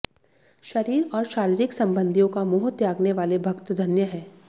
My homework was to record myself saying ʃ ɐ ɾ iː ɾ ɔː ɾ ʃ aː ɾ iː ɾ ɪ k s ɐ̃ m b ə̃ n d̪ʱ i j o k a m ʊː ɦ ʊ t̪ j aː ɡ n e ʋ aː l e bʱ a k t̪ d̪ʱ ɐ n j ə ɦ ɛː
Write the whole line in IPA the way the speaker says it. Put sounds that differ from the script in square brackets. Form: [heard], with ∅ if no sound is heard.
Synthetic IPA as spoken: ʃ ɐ ɾ iː ɾ ɔː ɾ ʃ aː ɾ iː ɾ ɪ k s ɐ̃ m b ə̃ n d̪ʱ i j [õ] k a m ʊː ɦ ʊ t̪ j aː ɡ n e ʋ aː l e bʱ [ɐ] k t̪ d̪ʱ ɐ n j ə ɦ ɛː